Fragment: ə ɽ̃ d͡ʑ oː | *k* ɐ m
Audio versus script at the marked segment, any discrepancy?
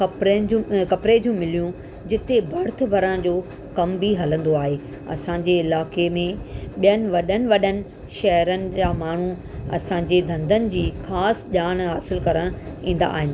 no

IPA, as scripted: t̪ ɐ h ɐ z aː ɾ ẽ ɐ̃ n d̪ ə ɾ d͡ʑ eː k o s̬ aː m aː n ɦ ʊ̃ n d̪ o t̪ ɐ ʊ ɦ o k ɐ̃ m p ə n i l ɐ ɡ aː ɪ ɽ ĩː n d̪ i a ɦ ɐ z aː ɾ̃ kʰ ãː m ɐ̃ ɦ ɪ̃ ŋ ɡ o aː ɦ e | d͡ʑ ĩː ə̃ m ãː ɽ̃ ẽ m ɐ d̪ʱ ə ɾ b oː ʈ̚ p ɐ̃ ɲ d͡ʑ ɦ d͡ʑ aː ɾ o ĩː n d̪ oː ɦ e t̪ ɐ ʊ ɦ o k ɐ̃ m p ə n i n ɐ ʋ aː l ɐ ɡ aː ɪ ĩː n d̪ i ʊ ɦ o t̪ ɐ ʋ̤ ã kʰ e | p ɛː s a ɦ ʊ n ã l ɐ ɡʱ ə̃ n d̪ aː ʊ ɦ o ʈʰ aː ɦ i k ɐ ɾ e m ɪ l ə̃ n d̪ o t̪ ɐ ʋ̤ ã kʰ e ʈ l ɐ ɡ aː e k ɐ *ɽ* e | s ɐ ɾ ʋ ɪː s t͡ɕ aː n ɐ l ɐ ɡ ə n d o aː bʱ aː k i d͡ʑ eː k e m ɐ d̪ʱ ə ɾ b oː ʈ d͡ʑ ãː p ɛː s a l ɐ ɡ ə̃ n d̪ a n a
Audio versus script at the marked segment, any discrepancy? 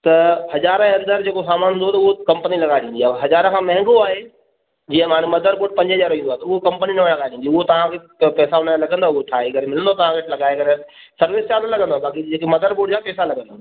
yes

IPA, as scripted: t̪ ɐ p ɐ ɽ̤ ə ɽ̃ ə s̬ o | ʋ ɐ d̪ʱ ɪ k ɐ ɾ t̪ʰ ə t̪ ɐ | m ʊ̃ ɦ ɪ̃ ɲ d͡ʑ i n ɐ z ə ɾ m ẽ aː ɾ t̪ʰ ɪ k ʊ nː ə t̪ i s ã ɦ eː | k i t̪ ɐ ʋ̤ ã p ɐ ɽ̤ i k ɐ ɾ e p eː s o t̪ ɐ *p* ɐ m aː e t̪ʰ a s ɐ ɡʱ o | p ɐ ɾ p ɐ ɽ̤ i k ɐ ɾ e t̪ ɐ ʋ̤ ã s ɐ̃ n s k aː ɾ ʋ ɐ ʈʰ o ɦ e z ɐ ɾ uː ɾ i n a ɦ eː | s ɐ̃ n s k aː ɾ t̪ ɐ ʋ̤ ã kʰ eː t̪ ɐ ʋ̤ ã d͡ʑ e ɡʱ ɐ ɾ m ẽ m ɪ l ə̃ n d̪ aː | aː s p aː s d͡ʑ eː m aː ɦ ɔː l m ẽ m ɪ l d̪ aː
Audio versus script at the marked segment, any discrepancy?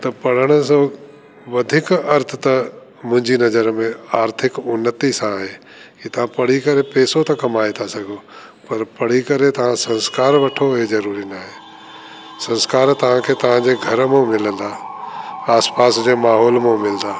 yes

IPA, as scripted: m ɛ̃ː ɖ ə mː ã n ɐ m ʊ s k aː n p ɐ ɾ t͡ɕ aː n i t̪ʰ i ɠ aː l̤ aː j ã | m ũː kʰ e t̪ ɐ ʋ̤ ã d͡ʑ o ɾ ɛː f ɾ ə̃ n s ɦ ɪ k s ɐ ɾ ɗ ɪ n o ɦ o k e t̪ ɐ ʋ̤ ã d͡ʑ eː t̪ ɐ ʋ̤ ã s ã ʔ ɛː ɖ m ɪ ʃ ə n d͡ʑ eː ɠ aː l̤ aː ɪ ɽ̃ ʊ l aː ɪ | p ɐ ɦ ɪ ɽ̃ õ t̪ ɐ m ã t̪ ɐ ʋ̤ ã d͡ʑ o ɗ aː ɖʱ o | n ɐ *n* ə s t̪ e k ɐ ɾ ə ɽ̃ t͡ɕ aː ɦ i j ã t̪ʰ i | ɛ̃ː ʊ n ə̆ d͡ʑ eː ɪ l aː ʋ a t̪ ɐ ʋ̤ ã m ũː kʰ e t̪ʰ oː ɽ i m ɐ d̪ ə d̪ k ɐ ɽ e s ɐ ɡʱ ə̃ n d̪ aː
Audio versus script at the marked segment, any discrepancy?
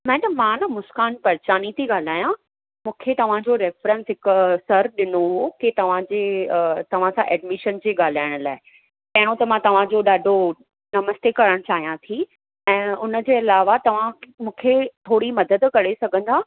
yes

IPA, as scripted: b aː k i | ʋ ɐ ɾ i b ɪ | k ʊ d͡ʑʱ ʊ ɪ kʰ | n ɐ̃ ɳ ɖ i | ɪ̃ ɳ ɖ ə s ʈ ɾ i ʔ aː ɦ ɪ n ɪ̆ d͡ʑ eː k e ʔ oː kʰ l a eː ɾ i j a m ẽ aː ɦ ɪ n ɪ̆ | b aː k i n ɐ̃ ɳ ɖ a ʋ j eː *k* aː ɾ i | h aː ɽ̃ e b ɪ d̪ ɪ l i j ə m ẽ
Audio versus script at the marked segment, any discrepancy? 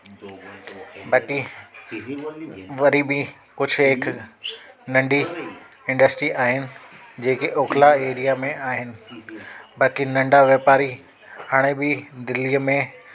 yes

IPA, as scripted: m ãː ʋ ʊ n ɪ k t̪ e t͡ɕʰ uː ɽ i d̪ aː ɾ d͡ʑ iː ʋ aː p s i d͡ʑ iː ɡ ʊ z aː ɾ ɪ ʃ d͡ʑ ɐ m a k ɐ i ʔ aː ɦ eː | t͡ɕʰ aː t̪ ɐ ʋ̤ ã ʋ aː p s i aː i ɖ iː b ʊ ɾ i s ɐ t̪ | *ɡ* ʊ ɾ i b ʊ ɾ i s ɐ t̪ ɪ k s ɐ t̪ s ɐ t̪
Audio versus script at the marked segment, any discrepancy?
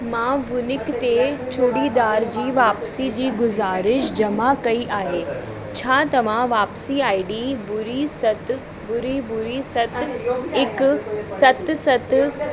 yes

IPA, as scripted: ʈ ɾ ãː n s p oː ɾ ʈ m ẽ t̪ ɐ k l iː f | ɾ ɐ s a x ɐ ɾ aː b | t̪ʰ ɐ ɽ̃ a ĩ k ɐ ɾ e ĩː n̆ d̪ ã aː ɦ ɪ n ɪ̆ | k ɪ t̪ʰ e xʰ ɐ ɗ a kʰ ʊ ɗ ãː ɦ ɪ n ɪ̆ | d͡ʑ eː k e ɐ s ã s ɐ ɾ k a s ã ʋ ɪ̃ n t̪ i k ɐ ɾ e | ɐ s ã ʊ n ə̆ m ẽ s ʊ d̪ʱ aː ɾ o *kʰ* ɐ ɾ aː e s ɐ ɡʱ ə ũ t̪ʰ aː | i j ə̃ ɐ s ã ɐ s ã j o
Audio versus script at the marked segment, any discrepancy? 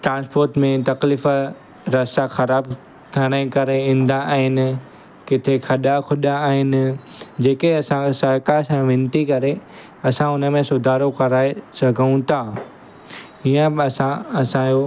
yes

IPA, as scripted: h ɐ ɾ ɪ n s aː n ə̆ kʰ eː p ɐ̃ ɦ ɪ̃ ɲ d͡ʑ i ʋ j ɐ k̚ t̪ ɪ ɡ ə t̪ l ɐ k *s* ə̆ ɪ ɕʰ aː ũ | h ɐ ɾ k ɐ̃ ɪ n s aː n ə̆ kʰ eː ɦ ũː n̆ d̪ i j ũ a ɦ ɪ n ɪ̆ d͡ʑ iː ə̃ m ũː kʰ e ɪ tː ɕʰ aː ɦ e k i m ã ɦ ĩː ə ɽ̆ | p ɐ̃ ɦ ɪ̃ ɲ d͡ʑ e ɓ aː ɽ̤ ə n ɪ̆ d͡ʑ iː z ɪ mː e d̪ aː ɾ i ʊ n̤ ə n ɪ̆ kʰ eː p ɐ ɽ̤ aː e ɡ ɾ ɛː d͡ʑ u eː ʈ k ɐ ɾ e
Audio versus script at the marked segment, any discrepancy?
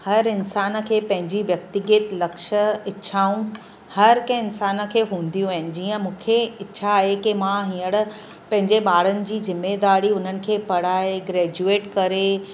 yes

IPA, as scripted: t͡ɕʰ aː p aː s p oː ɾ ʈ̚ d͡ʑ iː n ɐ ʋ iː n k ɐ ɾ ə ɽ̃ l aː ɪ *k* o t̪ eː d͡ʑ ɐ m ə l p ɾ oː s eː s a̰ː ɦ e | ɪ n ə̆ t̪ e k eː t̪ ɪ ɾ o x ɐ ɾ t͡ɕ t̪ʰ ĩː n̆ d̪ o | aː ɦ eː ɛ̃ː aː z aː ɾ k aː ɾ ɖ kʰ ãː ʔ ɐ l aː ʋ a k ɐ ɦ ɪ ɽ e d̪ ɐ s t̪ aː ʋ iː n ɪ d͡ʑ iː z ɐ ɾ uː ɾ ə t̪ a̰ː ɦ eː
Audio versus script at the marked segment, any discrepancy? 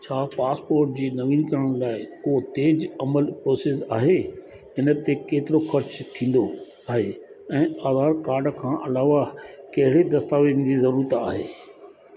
no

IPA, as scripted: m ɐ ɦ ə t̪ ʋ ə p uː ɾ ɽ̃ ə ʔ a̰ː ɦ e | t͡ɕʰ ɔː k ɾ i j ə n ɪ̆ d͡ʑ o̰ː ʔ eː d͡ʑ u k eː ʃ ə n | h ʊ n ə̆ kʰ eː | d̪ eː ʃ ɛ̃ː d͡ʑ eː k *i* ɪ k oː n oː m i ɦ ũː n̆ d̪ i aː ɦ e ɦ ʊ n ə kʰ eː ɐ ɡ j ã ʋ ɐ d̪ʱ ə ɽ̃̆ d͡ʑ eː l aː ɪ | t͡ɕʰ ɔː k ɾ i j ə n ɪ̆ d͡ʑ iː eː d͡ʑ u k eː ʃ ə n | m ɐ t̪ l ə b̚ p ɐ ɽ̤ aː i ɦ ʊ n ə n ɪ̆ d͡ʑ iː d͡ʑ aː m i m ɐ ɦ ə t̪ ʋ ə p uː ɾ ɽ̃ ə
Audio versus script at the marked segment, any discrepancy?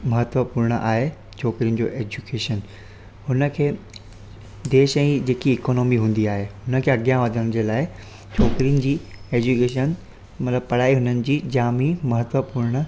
no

